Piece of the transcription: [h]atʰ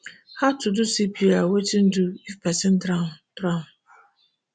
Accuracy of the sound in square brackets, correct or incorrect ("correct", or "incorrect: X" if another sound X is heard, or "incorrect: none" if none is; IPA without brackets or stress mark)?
correct